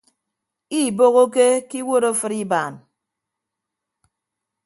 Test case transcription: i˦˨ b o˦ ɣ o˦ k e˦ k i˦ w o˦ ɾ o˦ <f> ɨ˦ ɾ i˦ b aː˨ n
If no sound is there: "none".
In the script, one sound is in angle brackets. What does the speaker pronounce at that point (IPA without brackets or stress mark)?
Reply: f